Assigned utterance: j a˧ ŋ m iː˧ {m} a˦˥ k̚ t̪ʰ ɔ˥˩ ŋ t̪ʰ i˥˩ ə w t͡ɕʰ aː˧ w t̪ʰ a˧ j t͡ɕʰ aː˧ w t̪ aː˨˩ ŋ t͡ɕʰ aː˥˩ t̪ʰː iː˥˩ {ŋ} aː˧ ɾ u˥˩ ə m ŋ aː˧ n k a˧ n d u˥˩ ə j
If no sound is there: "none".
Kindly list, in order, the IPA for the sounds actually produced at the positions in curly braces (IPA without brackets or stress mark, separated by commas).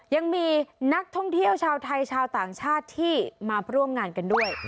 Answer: n, m